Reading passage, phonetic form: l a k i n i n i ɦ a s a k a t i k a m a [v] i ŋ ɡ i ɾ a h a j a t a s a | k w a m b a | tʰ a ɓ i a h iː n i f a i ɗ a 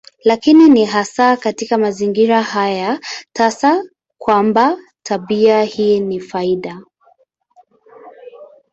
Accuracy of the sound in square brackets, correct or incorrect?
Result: incorrect